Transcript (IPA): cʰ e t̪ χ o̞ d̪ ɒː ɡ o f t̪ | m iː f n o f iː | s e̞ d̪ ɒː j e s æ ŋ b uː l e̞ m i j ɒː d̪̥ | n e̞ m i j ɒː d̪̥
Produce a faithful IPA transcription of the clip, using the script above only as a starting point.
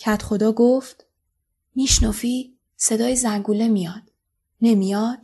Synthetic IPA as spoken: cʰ æ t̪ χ o̞ d̪ ɒː ɡ o f t̪ | m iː ʃ n o f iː | s e̞ d̪ ɒː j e z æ ŋ ɡ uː l e̞ m i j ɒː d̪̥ | n e̞ m i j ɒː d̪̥